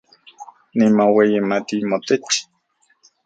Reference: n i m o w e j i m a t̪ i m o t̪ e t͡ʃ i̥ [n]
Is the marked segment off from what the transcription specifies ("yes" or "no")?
yes